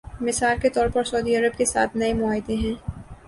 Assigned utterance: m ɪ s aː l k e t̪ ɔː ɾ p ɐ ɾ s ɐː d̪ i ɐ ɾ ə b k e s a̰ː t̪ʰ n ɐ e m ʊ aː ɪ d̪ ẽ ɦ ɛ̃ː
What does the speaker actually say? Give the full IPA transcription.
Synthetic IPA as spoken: m ɪ s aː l k e t̪ ɔː ɾ p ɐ ɾ s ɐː d̪ i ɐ ɾ ə b k e s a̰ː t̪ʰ n ɐ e m ʊ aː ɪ d̪ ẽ ɦ ɛ̃ː